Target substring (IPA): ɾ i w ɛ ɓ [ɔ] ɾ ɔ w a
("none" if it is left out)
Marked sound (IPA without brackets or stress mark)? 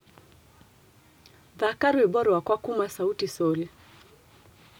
ɔ